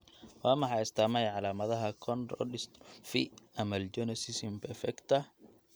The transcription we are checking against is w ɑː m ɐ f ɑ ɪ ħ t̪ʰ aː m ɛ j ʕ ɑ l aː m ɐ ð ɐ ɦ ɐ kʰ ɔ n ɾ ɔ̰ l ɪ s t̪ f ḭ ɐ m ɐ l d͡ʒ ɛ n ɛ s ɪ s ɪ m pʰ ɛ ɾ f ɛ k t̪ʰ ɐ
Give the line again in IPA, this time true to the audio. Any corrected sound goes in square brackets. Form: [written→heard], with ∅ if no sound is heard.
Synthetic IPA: w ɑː m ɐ [f→ħ] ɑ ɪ [ħ→s] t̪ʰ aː m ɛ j ʕ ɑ l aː m ɐ ð ɐ ɦ ɐ kʰ ɔ n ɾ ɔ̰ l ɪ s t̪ f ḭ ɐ m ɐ l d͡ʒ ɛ n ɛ s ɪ s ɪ m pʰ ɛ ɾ f ɛ k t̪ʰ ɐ